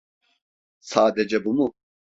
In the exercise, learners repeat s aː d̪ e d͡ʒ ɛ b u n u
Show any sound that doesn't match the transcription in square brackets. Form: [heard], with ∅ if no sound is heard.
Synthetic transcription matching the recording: s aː d̪ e d͡ʒ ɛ b u [m] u